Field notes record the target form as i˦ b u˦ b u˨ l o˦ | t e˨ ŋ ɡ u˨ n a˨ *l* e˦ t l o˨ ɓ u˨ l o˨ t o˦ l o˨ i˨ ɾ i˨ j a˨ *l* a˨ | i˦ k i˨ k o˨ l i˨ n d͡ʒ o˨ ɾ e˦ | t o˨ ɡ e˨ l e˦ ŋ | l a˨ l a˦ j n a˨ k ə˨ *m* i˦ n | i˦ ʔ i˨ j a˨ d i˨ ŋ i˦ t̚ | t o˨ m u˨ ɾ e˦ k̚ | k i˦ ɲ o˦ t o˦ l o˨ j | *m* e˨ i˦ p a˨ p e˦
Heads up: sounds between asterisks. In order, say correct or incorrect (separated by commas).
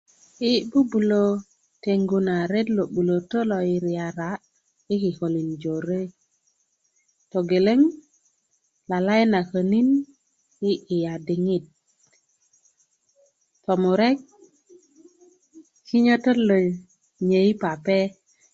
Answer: incorrect, incorrect, incorrect, incorrect